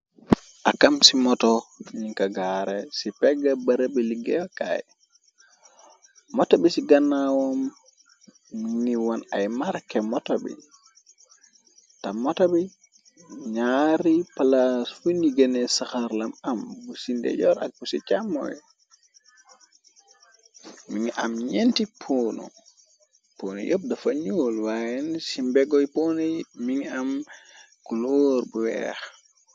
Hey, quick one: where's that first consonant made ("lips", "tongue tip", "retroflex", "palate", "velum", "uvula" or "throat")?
throat